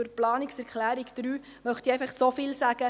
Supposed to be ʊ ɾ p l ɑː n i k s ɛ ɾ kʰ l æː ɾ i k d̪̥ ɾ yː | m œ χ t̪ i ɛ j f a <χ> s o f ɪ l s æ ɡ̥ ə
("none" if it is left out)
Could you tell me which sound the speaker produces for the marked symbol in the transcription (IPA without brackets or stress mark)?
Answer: χ